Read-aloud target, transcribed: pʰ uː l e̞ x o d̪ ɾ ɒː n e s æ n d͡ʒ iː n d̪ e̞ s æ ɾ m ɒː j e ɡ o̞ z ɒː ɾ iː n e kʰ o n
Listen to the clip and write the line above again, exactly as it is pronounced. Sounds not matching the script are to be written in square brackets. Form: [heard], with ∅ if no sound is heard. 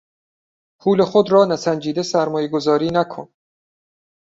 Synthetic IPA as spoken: pʰ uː l e̞ x o d̪ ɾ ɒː n [æ] s æ n d͡ʒ iː [∅] d̪ e̞ s æ ɾ m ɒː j e ɡ o̞ z ɒː ɾ iː n [æ] kʰ o n